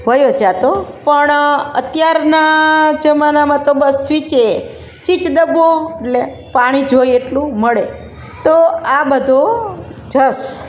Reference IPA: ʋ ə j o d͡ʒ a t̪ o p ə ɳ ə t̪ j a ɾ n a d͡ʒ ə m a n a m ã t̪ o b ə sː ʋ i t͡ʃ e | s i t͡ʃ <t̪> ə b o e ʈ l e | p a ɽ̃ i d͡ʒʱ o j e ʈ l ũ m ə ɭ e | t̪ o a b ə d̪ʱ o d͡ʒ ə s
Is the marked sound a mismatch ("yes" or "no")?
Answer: yes